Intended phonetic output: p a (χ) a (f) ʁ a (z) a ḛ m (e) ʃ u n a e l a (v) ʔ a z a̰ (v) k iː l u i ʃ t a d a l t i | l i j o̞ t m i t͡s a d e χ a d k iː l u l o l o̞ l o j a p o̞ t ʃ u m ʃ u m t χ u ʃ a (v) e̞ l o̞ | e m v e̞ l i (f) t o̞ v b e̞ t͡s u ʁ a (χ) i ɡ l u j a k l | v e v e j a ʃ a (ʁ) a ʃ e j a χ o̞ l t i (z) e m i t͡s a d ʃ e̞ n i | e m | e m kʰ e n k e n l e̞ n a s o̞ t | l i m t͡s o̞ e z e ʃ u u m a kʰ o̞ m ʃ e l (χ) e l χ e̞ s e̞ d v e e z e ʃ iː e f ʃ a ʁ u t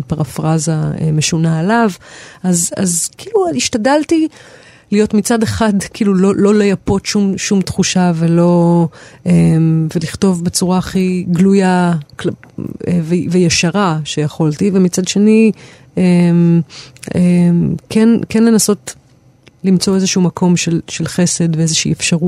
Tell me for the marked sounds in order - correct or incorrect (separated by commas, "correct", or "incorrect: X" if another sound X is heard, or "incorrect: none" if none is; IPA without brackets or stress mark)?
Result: incorrect: ʁ, correct, correct, correct, correct, incorrect: z, correct, incorrect: χ, correct, correct, incorrect: v, incorrect: ʃ